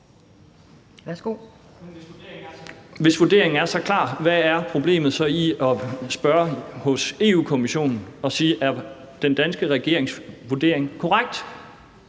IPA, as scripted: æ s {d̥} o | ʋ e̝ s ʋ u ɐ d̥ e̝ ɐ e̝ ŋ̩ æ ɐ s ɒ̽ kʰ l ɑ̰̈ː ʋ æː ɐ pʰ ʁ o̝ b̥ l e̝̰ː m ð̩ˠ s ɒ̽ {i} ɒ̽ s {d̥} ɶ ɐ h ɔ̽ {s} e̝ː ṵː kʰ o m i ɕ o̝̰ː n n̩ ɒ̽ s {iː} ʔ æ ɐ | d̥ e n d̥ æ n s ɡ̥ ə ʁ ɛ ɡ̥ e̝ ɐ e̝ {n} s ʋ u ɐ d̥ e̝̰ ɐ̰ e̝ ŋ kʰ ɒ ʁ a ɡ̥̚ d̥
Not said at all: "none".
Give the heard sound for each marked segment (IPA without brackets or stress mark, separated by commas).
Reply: ɡ̥, i, b̥, s, iː, ŋ